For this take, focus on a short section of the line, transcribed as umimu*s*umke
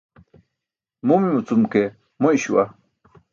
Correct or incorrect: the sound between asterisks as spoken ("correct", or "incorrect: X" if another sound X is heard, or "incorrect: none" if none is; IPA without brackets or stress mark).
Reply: incorrect: t͡s